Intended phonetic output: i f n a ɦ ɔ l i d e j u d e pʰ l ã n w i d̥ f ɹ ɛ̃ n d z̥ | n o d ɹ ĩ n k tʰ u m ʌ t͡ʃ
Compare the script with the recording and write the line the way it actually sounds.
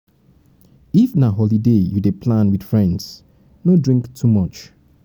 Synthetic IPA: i f n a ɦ ɔ l i d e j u d e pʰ l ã n w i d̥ f ɹ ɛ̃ n d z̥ | n o d ɹ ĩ ŋ k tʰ u m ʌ t͡ʃ